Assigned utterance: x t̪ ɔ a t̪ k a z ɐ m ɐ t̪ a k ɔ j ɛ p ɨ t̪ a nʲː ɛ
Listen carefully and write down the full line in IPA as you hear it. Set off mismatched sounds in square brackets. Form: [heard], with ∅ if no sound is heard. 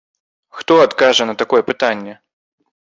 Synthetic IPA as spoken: x t̪ ɔ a t̪ k a [ʐ] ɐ [n] ɐ t̪ a k ɔ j ɛ p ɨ t̪ a nʲː ɛ

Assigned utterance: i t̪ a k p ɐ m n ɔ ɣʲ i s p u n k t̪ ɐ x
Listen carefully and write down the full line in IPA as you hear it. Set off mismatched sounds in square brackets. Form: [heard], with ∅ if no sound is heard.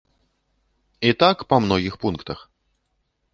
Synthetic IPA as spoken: i t̪ a k p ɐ m n ɔ ɣʲ i [x] p u n k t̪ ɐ x

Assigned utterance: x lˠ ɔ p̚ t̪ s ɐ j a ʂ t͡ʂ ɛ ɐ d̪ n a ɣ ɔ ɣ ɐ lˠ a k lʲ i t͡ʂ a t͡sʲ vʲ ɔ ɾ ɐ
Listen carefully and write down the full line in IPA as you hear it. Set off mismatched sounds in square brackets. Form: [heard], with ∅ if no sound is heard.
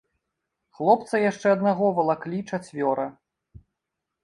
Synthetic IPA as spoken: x lˠ ɔ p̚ t̪ s ɐ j a ʂ t͡ʂ ɛ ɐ d̪ n a ɣ ɔ [v] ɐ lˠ a k lʲ i t͡ʂ a t͡sʲ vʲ ɔ ɾ ɐ

